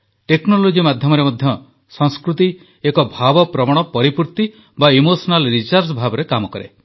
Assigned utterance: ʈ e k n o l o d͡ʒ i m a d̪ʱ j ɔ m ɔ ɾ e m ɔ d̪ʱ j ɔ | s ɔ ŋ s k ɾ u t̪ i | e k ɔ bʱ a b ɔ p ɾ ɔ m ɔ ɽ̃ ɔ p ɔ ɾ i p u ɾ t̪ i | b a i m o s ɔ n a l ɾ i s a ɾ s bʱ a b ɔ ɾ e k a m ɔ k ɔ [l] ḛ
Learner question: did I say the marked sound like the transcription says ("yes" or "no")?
no